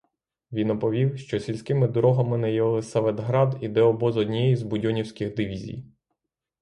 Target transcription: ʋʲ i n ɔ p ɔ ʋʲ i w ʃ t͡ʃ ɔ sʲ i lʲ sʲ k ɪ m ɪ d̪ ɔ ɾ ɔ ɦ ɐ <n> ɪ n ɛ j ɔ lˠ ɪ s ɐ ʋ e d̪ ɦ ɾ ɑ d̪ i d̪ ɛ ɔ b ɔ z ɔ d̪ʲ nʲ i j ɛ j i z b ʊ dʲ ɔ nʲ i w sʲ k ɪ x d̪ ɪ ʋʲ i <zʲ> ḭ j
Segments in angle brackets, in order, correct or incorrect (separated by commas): incorrect, correct